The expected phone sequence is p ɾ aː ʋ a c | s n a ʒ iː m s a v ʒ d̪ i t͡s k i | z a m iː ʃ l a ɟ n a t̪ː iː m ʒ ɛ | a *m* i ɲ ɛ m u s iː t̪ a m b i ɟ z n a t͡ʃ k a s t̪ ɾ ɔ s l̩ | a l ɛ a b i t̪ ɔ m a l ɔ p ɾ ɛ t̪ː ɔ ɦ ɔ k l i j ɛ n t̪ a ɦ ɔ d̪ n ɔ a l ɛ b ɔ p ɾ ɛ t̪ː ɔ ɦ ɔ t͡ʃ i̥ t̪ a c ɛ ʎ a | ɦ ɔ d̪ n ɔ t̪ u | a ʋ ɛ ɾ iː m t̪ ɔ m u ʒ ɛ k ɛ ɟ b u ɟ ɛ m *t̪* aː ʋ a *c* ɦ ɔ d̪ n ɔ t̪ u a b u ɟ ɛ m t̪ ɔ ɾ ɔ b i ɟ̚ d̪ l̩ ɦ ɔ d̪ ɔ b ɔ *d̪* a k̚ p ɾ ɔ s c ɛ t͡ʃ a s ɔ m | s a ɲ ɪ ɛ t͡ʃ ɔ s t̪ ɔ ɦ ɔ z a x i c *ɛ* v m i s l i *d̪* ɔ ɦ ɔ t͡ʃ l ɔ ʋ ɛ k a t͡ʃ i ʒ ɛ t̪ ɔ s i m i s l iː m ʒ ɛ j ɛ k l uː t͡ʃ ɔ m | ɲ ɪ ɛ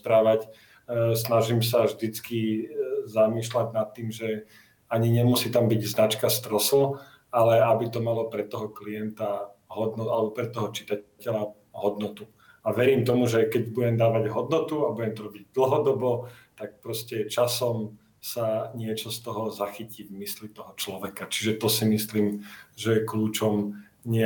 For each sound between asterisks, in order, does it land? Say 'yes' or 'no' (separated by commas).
no, no, no, no, no, no